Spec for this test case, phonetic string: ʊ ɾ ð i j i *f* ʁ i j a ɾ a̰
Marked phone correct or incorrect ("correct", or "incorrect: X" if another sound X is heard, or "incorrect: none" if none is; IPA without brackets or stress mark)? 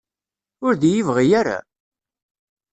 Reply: incorrect: v